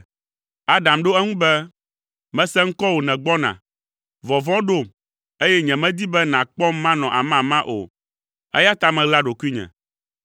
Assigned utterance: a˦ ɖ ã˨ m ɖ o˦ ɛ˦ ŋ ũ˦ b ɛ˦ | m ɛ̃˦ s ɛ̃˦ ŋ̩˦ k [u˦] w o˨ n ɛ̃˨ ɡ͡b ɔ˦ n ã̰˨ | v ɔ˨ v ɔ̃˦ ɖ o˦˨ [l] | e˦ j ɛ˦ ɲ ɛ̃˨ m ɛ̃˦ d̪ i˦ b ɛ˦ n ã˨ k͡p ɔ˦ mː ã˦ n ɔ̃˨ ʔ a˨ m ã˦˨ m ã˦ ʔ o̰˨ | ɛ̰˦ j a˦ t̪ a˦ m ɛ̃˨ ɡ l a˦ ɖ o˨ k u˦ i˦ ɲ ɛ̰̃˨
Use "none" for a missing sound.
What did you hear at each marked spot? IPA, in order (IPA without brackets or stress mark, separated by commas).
ɔ˦, none